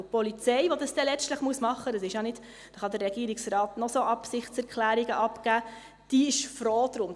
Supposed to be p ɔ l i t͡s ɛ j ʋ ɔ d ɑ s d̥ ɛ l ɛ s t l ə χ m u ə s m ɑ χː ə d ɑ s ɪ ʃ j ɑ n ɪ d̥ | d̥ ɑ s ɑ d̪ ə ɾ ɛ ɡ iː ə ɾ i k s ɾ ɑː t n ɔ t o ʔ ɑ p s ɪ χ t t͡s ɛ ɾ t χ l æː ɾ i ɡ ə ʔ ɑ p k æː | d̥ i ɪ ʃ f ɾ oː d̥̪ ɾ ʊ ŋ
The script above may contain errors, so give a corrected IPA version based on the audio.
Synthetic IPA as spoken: p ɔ l i t͡s ɛ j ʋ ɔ d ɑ s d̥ ɛ l ɛ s t l ə χ m u ə s m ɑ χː ə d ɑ s ɪ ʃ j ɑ n ɪ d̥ | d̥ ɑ χ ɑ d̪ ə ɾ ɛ ɡ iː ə ɾ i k s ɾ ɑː t n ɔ s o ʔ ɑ p s ɪ χ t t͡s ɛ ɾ k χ l æː ɾ i ɡ ə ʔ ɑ p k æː | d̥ i ɪ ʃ f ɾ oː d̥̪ ɾ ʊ m